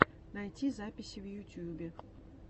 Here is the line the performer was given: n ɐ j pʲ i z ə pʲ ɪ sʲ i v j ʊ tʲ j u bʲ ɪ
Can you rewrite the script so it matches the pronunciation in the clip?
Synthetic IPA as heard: n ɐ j tʲ i z a pʲ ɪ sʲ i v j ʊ tʲ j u bʲ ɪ